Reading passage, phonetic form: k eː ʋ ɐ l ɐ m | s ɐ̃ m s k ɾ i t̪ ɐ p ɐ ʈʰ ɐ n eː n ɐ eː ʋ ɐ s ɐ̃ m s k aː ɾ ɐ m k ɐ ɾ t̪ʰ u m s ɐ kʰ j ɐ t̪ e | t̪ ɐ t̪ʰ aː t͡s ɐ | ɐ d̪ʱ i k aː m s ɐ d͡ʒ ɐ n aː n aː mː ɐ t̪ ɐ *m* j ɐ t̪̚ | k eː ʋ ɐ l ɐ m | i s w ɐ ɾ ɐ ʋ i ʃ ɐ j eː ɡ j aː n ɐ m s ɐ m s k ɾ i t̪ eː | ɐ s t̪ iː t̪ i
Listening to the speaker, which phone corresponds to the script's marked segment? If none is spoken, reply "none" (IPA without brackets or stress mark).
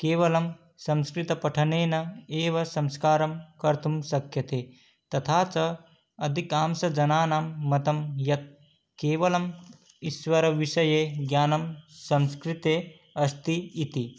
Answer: m